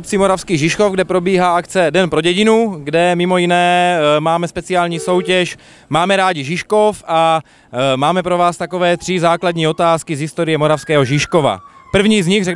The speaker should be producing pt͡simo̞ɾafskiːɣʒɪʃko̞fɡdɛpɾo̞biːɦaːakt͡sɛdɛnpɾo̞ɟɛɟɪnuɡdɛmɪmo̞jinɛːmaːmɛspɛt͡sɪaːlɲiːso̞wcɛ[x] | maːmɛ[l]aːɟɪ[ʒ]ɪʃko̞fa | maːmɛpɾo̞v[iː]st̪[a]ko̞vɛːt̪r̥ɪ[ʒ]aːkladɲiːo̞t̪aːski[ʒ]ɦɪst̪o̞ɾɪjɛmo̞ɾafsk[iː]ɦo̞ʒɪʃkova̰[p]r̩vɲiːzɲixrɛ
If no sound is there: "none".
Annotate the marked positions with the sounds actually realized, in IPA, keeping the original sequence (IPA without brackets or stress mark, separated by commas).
ʃ, ɾ, ʒ, aː, a, z, z, ɛː, p